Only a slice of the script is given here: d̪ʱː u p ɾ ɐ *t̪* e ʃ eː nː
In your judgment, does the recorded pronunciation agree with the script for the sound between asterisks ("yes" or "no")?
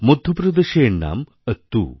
no